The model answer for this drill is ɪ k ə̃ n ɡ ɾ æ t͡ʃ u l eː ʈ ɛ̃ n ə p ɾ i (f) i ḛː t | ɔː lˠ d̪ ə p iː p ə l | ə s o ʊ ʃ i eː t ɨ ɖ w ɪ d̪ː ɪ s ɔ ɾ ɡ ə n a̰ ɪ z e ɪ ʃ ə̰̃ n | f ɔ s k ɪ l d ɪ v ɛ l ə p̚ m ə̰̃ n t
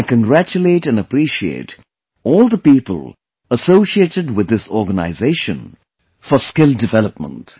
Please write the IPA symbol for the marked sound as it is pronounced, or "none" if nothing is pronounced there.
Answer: ʃ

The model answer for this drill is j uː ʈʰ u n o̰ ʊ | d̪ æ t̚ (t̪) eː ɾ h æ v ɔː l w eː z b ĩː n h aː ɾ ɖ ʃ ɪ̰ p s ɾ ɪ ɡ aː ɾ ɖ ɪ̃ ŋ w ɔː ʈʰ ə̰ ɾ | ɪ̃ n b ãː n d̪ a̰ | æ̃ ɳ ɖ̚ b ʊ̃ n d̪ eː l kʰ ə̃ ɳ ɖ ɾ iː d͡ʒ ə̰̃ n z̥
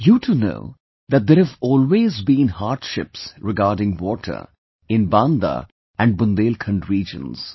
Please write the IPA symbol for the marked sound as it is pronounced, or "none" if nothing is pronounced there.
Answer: d̪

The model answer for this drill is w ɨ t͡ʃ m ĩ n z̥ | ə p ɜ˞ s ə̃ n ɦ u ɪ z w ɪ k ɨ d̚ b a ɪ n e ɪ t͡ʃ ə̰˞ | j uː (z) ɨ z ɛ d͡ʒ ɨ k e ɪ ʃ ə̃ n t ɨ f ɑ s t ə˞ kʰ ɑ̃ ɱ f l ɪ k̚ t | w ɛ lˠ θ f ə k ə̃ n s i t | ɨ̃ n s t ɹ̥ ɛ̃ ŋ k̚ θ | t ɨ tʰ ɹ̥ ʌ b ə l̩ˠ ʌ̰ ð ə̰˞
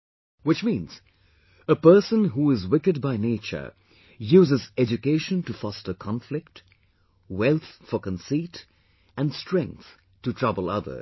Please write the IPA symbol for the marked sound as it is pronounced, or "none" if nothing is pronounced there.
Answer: z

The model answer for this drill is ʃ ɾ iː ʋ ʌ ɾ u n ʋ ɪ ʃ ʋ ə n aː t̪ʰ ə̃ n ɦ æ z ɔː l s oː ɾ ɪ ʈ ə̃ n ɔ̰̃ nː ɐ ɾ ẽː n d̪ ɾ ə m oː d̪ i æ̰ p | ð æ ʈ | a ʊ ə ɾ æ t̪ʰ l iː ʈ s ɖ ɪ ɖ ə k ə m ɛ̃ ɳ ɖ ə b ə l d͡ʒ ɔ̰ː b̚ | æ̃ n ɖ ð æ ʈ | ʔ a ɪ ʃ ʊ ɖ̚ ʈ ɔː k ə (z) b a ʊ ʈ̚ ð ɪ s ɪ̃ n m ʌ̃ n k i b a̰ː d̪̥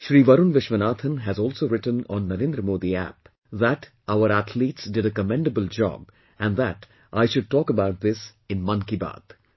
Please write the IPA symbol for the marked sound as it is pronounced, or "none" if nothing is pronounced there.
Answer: none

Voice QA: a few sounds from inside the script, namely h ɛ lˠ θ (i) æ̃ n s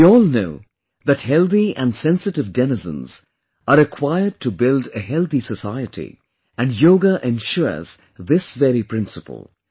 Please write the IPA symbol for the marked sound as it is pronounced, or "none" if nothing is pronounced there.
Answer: i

